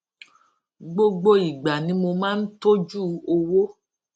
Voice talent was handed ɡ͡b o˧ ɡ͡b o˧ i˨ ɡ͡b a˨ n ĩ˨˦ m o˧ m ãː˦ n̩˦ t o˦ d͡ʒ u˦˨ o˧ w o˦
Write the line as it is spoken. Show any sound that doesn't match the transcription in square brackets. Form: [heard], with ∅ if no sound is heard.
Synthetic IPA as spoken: ɡ͡b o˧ ɡ͡b o˧ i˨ ɡ͡b a˨ n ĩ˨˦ m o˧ m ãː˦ n̩˦ t o˦ d͡ʒ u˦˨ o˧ w o˦